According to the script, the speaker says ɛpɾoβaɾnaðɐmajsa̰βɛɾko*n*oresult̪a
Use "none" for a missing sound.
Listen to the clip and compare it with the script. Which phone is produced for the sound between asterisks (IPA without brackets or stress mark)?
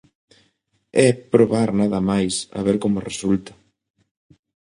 m